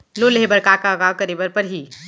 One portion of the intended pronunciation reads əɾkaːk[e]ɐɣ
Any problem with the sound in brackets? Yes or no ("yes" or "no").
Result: yes